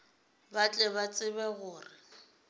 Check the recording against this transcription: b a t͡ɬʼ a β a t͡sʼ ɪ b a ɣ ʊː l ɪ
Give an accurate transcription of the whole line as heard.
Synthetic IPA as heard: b a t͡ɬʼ ɛ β a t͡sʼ ɪ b ɛ ɣ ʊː r ɪ